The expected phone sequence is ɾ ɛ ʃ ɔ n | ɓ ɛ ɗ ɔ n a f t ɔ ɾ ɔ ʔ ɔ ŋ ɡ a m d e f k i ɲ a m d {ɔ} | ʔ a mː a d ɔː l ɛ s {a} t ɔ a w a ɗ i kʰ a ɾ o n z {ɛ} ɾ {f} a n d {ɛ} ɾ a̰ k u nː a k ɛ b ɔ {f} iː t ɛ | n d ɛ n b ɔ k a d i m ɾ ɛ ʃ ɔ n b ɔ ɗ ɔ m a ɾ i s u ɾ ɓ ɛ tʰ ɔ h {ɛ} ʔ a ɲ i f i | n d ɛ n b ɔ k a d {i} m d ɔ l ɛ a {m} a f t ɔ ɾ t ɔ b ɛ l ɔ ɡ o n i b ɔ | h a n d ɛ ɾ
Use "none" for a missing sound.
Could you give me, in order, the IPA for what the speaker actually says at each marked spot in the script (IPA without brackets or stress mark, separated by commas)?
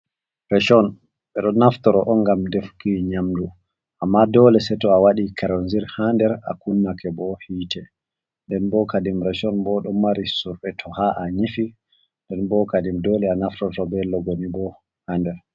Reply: u, ɛ, i, h, ɛ, h, a, i, n